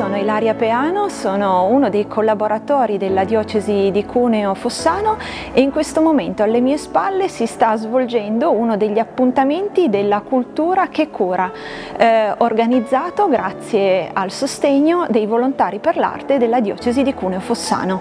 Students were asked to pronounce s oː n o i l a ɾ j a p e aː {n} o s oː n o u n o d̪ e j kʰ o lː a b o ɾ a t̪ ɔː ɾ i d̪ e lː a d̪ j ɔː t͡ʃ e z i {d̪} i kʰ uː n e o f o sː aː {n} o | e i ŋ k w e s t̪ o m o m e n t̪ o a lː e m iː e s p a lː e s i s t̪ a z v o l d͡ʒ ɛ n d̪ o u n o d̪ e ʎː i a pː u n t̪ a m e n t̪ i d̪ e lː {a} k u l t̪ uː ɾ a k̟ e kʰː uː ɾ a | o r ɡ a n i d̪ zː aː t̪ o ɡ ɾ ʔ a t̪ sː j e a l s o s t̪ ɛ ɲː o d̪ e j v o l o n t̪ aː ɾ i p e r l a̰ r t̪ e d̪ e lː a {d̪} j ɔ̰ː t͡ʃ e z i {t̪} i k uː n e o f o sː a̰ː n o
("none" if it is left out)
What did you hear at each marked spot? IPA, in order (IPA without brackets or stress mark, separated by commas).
n, d̪, n, a, d̪, d̪